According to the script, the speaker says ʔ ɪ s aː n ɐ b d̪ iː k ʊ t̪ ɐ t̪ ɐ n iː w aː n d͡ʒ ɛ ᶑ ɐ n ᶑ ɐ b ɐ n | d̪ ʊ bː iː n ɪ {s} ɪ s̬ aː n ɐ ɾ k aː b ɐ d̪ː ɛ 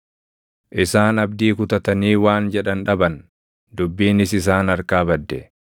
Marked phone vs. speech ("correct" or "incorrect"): correct